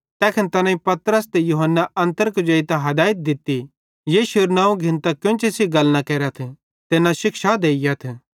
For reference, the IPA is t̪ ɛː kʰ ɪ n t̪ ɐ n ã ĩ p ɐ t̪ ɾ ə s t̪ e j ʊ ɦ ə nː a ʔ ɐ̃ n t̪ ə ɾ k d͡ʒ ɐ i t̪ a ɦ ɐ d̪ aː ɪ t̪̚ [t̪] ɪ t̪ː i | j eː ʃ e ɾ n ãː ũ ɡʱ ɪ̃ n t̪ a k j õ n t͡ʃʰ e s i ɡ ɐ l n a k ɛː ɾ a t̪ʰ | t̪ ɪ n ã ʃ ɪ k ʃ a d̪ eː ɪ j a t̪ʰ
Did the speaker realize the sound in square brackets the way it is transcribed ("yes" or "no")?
no